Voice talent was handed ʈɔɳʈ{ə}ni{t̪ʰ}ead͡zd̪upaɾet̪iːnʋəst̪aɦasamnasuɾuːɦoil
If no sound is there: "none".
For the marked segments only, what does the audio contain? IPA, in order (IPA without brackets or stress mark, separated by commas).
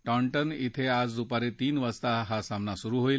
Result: ə, t̪ʰ